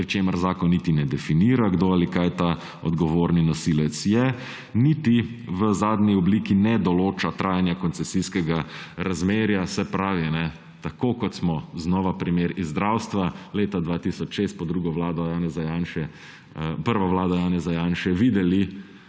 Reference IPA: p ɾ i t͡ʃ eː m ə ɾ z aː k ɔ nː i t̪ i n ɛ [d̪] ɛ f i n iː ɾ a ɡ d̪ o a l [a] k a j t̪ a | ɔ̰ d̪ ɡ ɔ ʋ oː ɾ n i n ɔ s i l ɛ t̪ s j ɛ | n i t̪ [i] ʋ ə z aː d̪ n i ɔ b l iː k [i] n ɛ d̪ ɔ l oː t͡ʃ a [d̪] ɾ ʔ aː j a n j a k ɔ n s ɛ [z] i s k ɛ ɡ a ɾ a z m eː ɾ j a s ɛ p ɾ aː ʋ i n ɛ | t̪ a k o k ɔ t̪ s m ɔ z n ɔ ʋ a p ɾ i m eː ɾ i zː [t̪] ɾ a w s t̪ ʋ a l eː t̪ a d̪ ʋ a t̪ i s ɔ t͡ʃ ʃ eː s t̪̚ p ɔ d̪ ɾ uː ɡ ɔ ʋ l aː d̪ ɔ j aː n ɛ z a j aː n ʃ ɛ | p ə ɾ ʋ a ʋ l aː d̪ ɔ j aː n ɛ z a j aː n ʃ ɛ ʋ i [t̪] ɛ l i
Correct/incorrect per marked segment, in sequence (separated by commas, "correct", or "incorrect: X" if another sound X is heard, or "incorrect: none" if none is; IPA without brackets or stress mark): correct, incorrect: i, correct, correct, incorrect: t̪, incorrect: s, incorrect: d̪, incorrect: d̪